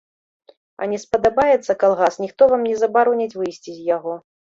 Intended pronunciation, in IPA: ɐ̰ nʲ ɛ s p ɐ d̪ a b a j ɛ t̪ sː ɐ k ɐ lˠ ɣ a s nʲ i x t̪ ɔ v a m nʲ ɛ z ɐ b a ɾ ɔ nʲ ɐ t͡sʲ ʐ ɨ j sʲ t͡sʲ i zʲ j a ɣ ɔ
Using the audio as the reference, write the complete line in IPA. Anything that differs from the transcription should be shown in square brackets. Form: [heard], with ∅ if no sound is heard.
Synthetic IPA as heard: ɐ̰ nʲ ɛ s p ɐ d̪ a b a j ɛ t̪ sː ɐ k [a] lˠ ɣ a s nʲ i x t̪ ɔ v a m nʲ ɛ z ɐ b a ɾ ɔ nʲ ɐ t͡sʲ [v] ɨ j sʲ t͡sʲ i zʲ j a ɣ ɔ